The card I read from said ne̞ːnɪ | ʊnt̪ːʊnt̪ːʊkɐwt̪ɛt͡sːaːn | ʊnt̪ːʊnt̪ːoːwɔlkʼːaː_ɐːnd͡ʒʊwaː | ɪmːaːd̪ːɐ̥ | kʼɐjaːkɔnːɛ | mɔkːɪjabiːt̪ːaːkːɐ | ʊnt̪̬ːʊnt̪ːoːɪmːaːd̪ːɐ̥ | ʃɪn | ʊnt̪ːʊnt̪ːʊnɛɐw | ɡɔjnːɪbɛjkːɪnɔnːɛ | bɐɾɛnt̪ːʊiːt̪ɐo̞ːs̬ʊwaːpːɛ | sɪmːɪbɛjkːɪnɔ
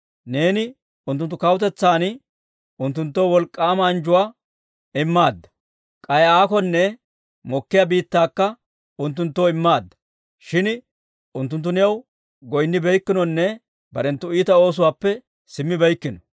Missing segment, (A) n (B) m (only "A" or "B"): B